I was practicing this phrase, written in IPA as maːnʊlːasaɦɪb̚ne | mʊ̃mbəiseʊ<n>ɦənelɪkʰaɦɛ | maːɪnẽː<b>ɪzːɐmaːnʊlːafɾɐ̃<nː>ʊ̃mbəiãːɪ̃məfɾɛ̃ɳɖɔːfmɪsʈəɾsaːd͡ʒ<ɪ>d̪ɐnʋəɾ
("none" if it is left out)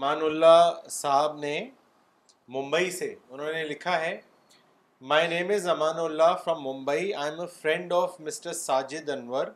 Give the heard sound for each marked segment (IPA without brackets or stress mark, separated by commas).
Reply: n, m, mː, ɪ